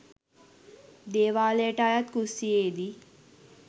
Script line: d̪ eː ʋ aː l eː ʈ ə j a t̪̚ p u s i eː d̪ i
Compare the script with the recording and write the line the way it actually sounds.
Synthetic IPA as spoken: d̪ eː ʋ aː l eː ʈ a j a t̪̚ k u s i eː d̪ i